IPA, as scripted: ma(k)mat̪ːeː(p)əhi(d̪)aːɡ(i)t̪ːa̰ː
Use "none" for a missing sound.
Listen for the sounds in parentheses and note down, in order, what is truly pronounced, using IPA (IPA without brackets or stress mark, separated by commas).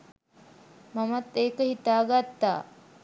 none, k, t̪, a